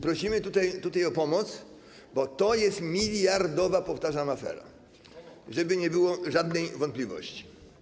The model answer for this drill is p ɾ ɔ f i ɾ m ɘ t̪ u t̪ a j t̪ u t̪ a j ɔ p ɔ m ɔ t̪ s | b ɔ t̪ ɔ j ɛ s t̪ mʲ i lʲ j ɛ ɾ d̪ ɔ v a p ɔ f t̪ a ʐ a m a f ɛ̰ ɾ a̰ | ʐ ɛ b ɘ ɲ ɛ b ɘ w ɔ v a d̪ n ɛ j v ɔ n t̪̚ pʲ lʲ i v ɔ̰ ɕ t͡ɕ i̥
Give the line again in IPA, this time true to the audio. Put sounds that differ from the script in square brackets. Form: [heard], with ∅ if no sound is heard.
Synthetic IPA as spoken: p ɾ ɔ [ɕ] i [∅] m ɘ t̪ u t̪ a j t̪ u t̪ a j ɔ p ɔ m ɔ t̪ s | b ɔ t̪ ɔ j ɛ s t̪ mʲ i lʲ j [a] ɾ d̪ ɔ v a p ɔ f t̪ a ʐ a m a f ɛ̰ ɾ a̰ | ʐ ɛ b ɘ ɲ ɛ b ɘ w ɔ [ʐ] a d̪ n ɛ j v ɔ n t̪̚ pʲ lʲ i v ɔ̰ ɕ t͡ɕ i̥